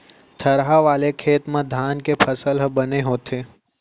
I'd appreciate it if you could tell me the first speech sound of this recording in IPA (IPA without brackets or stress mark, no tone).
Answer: t̪ʰ